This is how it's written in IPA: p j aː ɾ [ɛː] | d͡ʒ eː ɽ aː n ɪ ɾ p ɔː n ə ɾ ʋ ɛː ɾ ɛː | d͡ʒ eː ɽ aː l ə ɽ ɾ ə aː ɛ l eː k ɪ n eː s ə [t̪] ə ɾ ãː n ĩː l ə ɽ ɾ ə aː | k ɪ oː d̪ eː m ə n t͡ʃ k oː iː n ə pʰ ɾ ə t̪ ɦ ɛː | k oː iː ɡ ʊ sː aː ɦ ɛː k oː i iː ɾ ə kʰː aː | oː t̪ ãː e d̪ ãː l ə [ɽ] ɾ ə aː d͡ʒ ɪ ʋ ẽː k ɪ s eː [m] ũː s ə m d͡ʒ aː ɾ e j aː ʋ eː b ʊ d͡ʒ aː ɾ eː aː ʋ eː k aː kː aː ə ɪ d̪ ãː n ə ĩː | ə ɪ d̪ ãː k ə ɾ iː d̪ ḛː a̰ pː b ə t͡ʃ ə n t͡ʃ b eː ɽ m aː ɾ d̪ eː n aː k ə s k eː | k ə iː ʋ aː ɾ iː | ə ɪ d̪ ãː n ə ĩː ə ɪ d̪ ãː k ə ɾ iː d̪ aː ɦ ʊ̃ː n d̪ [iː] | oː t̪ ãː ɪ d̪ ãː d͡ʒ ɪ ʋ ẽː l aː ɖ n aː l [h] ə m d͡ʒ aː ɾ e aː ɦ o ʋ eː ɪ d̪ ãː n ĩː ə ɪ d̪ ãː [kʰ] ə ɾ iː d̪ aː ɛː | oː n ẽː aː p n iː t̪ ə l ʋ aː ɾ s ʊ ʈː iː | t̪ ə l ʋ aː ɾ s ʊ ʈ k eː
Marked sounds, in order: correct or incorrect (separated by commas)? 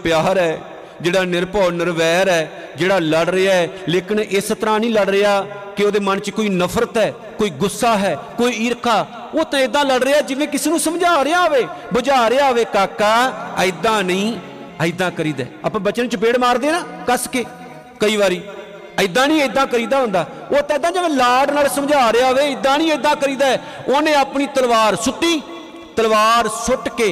correct, correct, correct, incorrect, incorrect, incorrect, incorrect